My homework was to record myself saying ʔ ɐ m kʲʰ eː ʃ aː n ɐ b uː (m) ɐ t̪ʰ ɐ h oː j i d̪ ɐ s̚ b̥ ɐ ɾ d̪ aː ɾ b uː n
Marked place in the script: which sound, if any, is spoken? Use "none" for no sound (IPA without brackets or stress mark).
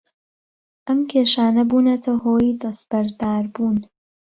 n